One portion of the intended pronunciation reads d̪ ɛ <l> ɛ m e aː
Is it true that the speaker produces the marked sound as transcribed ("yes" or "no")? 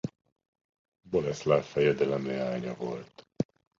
yes